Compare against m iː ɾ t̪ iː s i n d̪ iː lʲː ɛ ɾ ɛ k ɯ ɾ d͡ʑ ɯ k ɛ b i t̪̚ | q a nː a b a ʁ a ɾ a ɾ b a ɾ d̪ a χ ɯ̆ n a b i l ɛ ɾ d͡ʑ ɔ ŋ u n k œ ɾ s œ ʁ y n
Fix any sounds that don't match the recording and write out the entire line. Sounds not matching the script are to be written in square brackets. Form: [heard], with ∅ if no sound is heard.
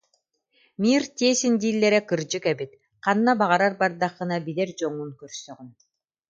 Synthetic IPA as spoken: m iː ɾ t̪ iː s i n d̪ iː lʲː ɛ ɾ ɛ k ɯ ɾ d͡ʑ ɯ k ɛ b i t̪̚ | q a nː a b a ʁ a ɾ a ɾ b a ɾ d̪ a χ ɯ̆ n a b i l ɛ ɾ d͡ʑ ɔ ŋ u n k œ ɾ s œ ʁ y n

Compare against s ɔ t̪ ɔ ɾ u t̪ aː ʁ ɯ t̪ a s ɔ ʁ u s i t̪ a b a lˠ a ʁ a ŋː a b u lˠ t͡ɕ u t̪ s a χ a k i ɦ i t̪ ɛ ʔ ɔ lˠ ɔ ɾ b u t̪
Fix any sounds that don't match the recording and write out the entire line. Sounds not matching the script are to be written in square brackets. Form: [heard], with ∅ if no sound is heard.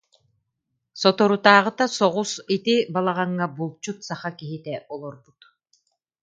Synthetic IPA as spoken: s ɔ t̪ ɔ ɾ u t̪ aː ʁ ɯ t̪ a s ɔ ʁ u s i t̪ [i] b a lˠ a ʁ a ŋː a b u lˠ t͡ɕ u t̪ s a χ a k i ɦ i t̪ ɛ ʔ ɔ lˠ ɔ ɾ b u t̪

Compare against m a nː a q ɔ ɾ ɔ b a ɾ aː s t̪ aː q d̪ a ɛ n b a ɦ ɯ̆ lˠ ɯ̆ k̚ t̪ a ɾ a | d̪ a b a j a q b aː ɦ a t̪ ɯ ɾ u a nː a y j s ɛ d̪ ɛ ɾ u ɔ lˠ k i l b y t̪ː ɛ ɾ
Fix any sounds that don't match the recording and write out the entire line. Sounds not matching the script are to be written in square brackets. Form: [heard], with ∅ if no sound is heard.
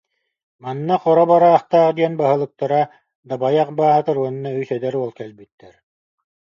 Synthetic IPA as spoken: m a nː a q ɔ ɾ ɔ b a ɾ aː [χ] t̪ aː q d̪ [i] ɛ n b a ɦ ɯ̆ lˠ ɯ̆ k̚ t̪ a ɾ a | d̪ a b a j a q b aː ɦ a t̪ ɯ ɾ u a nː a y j s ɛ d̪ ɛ ɾ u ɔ lˠ k [ɛ] l b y t̪ː ɛ ɾ

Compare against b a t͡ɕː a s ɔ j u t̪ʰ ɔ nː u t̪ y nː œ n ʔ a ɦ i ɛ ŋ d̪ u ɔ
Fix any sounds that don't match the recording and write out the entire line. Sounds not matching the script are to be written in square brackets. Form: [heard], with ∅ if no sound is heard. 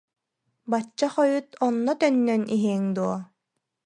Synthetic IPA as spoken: b a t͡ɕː a [χ] ɔ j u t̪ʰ ɔ nː [ɔ] t̪ [œ] nː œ n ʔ [i] ɦ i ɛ ŋ d̪ u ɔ

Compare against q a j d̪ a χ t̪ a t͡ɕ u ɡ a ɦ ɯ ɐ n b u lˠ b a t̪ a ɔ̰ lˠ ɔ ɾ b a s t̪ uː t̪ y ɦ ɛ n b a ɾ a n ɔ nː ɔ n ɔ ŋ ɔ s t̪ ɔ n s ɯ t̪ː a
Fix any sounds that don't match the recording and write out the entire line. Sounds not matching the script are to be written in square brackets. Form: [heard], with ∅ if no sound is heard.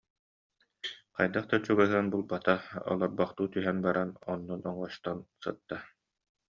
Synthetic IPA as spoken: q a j d̪ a χ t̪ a t͡ɕ u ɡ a ɦ ɯ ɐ n b u lˠ b a t̪ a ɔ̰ lˠ ɔ ɾ b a [χ] t̪ uː t̪ y ɦ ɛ n b a ɾ a n ɔ nː ɔ n ɔ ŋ ɔ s t̪ ɔ n s ɯ t̪ː a

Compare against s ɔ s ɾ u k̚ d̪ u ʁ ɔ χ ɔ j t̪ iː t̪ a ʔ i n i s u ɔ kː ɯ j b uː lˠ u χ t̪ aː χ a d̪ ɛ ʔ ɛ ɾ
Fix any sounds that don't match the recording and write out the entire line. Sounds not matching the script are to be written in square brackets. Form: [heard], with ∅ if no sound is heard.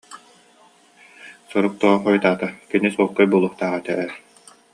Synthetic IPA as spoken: s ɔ [∅] ɾ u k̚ [t̪] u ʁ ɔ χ ɔ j t̪ [aː] t̪ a [k] i n i s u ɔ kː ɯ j b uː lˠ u χ t̪ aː [ʁ] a [t̪] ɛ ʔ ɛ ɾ

